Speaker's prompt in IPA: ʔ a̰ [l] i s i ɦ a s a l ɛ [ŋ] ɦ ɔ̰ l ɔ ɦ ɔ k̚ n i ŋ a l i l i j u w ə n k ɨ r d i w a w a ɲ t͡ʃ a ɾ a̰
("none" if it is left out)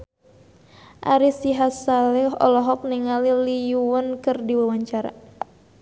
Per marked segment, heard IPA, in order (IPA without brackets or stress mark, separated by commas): ɾ, none